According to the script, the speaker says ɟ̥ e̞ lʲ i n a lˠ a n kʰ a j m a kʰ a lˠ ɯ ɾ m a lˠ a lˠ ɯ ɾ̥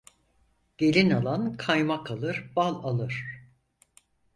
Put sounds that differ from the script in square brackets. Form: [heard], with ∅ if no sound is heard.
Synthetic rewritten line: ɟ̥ e̞ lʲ i n a lˠ a n kʰ a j m a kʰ a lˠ ɯ ɾ [b] a lˠ a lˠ ɯ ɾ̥

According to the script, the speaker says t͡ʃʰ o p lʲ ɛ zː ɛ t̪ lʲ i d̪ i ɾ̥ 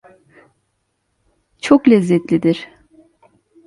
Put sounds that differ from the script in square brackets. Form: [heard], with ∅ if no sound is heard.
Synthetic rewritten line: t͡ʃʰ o [k] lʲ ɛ zː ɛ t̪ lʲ i d̪ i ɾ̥

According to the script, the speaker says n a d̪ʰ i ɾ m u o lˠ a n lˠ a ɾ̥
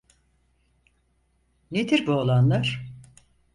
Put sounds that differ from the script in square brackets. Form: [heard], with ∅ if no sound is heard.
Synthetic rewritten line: n [e] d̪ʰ i ɾ [b] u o lˠ a n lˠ a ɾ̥

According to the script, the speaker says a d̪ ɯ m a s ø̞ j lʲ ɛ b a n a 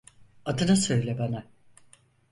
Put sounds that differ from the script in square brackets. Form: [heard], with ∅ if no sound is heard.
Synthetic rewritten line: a d̪ ɯ [n] a s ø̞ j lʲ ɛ b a n a

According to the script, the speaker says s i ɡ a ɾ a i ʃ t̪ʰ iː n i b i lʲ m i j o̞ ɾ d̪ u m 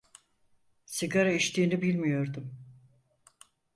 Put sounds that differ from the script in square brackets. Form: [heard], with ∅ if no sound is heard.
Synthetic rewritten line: s i ɡ a ɾ a i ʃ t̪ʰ iː n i b i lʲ m i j o̞ ɾ d̪ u m

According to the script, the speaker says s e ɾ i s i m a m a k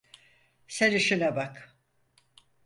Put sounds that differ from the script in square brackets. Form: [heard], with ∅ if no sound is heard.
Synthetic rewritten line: s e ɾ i [ʃ] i [n] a [b] a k

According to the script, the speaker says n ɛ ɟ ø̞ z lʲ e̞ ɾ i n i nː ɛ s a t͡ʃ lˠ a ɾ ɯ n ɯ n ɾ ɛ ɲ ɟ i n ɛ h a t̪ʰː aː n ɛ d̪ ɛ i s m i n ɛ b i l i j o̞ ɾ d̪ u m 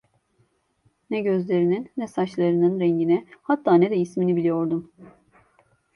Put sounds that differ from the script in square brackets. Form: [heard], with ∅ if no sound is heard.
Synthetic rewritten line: n ɛ ɟ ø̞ z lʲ e̞ ɾ i n i nː ɛ s a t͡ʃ lˠ a ɾ ɯ n ɯ n ɾ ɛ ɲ ɟ i n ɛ h a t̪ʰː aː n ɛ d̪ ɛ i s m i n [i] b i l i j o̞ ɾ d̪ u m

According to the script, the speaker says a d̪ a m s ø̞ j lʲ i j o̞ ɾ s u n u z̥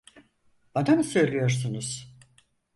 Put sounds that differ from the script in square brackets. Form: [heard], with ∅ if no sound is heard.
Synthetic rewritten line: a d̪ a m s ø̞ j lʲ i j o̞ ɾ s u n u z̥

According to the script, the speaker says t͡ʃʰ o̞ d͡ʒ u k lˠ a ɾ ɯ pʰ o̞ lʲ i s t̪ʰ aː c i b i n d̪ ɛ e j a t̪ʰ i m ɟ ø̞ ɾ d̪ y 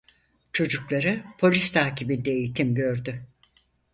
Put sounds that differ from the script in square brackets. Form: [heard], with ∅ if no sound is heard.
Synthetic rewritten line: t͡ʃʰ o̞ d͡ʒ u k lˠ a ɾ ɯ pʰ o̞ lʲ i s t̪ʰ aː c i b i n d̪ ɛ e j [i] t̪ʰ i m ɟ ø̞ ɾ d̪ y

